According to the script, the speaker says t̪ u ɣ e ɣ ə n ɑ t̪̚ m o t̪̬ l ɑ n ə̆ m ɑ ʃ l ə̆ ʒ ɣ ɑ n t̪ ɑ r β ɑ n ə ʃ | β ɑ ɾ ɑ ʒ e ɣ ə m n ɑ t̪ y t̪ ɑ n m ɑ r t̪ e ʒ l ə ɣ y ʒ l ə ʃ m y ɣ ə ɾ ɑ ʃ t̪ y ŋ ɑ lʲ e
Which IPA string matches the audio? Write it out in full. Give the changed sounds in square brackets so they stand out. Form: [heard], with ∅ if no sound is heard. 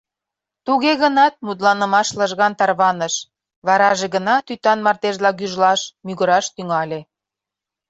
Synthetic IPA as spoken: t̪ u ɣ e ɣ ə n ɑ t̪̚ m [u] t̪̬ l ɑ n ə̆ m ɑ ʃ l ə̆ ʒ ɣ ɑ n t̪ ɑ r β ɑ n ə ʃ | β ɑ ɾ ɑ ʒ e ɣ ə [∅] n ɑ t̪ y t̪ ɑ n m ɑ r t̪ e ʒ l [ɑ] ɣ y ʒ l [ɑ] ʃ m y ɣ ə ɾ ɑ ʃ t̪ y ŋ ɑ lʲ e